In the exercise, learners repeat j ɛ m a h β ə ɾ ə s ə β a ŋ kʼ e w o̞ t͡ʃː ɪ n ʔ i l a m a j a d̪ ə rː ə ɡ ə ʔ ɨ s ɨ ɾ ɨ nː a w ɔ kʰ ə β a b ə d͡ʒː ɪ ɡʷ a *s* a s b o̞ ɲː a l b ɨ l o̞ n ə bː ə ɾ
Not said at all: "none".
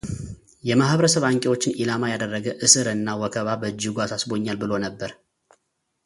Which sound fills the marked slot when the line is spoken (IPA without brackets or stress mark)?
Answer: s